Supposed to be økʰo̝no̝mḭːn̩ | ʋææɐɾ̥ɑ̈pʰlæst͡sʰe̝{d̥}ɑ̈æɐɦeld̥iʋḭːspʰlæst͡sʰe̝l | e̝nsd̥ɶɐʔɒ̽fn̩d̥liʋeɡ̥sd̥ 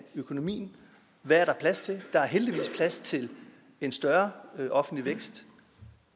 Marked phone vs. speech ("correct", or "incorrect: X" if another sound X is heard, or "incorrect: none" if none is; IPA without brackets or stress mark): correct